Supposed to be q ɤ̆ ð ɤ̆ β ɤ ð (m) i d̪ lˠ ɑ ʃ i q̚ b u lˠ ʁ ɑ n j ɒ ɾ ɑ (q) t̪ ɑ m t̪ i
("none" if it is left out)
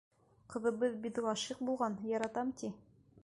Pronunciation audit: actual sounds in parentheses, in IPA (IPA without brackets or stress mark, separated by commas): b, none